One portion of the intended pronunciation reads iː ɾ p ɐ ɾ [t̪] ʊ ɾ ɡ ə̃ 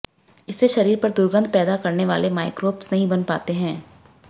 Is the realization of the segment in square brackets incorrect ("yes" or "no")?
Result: yes